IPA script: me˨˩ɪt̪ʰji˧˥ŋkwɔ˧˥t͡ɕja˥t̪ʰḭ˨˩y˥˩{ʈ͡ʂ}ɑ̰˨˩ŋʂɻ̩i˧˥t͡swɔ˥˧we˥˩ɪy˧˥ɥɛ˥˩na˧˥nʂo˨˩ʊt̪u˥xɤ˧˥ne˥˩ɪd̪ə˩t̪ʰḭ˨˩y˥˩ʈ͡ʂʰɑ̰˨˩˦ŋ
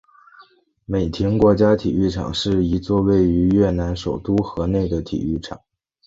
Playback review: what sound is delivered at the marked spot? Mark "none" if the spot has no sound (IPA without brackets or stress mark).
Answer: ʈ͡ʂʰ